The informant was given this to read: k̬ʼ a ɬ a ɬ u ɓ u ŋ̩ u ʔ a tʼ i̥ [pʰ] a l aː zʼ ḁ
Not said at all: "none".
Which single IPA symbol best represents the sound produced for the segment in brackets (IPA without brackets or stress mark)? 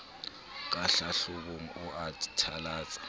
tʰ